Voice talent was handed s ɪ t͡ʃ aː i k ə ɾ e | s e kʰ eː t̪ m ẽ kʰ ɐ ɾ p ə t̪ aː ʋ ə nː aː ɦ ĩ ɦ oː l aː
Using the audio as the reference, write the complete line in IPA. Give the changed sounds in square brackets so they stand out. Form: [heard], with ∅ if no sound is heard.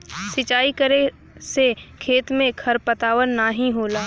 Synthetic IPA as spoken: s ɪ t͡ʃ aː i k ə ɾ e | s e kʰ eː t̪ m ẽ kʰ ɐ ɾ p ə t̪ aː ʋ ə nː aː ɦ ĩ ɦ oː l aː

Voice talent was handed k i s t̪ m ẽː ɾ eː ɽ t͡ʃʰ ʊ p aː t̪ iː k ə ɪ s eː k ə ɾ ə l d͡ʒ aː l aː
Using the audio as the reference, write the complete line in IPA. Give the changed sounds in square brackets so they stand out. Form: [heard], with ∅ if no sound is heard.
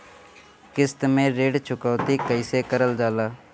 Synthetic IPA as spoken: k [ɪ] s t̪ m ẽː ɾ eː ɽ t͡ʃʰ ʊ [k] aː t̪ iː k ə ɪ s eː k ə ɾ ə l d͡ʒ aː l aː

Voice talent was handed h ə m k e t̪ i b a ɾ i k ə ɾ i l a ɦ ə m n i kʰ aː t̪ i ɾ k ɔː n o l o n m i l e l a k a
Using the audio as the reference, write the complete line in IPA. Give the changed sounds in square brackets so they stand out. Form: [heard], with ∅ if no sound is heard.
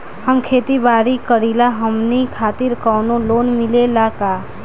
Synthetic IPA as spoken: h ə m [kʰ] e t̪ i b a ɾ i k ə ɾ i l a ɦ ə m n i kʰ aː t̪ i ɾ k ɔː n o l o n m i l e l a k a

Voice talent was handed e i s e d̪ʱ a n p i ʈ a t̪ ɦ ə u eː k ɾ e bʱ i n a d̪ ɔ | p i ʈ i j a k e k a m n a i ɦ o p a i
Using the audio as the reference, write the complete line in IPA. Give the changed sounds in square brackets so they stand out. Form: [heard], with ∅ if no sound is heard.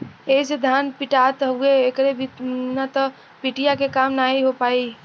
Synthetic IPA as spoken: e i s e d̪ʱ a n p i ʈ a t̪ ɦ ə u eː k ɾ e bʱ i n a [t̪] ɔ | p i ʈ i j a k e k a m n a i ɦ o p a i

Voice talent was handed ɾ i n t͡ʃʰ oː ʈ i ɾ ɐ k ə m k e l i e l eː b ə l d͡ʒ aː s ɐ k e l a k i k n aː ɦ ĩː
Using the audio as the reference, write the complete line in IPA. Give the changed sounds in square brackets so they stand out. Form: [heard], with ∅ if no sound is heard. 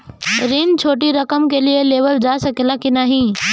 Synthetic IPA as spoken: ɾ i n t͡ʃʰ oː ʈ i ɾ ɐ k ə m k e l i e l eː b ə l d͡ʒ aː s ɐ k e l a k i [∅] n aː ɦ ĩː

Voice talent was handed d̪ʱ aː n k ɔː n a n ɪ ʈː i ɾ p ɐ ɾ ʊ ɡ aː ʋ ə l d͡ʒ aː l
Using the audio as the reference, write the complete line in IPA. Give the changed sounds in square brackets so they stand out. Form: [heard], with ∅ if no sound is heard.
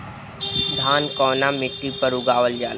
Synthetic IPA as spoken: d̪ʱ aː n k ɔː n a [m] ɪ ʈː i [∅] p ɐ ɾ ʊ ɡ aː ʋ ə l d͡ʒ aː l

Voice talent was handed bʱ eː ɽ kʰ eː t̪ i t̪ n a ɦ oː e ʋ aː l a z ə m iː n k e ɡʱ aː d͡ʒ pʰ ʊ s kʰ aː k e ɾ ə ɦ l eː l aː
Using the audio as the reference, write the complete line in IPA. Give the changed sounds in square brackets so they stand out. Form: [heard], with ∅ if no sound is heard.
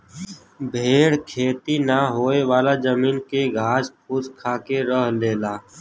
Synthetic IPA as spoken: bʱ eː ɽ kʰ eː t̪ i [∅] n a ɦ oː e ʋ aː l a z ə m iː n k e ɡʱ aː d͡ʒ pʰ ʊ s kʰ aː k e ɾ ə ɦ l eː l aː

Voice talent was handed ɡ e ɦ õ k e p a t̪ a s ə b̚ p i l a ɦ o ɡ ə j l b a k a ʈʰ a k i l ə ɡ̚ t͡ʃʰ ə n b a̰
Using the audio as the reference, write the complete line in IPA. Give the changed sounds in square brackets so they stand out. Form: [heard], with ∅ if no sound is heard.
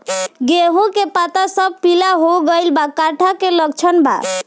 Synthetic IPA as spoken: ɡ e ɦ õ k e p a t̪ a s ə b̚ p i l a ɦ o ɡ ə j l b a k a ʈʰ a k [e] l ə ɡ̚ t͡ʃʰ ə n b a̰

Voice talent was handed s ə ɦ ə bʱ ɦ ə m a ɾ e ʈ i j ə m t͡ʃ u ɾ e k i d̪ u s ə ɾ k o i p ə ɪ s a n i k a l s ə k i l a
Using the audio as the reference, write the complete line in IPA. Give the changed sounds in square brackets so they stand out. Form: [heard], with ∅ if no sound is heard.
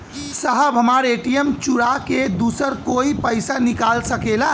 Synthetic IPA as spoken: s ə ɦ ə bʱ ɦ ə m a ɾ e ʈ i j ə m t͡ʃ u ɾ [a] k [e] d̪ u s ə ɾ k o i p ə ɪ s a n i k a l s ə k [e] l a

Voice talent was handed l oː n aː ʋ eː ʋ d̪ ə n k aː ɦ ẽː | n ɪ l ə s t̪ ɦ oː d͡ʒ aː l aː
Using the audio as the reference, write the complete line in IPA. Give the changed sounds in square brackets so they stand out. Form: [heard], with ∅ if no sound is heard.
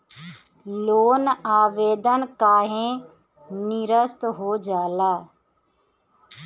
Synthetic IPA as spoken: l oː n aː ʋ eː [∅] d̪ ə n k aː ɦ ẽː | n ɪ [ɾ] ə s t̪ ɦ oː d͡ʒ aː l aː

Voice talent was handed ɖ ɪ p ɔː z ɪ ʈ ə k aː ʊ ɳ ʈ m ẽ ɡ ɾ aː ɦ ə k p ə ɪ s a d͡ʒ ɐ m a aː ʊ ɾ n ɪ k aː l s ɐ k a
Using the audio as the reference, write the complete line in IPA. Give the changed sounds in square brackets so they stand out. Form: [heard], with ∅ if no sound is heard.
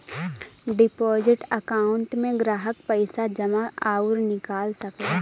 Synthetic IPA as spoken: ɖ ɪ p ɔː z ɪ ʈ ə k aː ʊ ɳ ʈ m ẽ ɡ ɾ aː ɦ ə k p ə ɪ s a d͡ʒ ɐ m a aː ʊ ɾ n ɪ k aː l s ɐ k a

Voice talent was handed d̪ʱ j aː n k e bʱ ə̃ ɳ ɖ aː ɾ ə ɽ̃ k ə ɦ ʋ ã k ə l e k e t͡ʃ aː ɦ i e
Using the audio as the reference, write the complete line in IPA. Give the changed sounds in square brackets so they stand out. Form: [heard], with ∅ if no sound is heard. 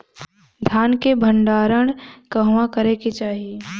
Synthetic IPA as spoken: d̪ʱ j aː n k e bʱ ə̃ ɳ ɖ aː ɾ ə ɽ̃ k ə ɦ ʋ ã k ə [ɾ] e k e t͡ʃ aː ɦ i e

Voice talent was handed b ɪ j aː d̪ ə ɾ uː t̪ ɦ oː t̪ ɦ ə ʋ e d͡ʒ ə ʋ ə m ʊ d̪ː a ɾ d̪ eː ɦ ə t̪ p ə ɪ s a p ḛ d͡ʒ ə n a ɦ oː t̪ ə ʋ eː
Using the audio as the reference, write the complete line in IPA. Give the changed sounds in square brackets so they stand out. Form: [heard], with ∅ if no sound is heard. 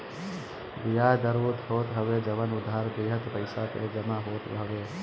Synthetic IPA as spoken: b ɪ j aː d̪ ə ɾ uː t̪ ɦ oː t̪ ɦ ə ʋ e d͡ʒ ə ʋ ə [n] ʊ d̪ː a ɾ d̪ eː ɦ ə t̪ p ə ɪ s a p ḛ d͡ʒ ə [m] a ɦ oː t̪ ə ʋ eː

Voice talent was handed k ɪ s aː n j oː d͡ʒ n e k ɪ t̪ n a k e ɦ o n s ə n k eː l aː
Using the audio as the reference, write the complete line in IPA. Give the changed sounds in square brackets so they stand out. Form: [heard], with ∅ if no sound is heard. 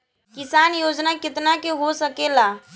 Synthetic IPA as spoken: k ɪ s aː n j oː d͡ʒ n [a] k ɪ t̪ n a k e ɦ o [∅] s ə [∅] k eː l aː

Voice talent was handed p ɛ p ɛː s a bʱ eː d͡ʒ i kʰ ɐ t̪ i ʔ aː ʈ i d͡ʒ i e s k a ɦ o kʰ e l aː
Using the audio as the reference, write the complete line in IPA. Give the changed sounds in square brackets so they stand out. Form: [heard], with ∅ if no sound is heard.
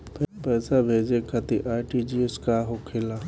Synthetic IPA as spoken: p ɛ p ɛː s a bʱ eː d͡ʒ [e] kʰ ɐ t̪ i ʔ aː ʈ i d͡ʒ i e s k a ɦ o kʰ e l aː

